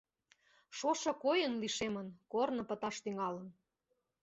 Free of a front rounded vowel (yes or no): no